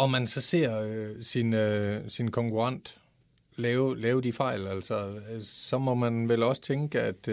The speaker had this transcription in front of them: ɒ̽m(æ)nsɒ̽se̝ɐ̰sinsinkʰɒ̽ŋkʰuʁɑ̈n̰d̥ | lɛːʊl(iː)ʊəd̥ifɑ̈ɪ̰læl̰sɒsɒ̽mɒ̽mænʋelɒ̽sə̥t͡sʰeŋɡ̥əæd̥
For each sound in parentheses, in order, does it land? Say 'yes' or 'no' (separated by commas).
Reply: yes, no